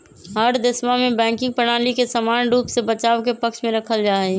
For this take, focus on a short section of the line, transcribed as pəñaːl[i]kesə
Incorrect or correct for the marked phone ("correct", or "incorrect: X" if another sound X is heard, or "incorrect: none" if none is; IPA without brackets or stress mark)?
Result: correct